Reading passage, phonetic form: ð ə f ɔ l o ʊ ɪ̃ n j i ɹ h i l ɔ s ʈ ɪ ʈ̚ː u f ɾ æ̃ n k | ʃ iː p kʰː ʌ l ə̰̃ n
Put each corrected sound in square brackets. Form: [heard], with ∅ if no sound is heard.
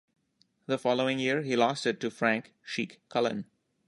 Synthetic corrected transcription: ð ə f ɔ l o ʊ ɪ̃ [ŋ] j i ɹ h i l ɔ s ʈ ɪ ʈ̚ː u f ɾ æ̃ [ŋ] k | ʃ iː [k] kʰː ʌ l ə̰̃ n